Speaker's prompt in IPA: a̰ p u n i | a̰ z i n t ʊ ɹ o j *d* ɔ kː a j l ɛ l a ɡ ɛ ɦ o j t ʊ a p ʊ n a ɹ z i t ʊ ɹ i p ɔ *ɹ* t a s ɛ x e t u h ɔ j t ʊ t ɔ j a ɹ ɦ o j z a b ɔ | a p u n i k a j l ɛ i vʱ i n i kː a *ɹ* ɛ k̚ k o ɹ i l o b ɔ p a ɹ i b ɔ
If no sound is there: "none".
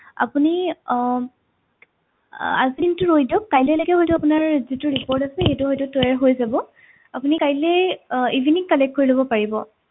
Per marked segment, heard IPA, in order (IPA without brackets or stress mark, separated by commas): d, ɹ, l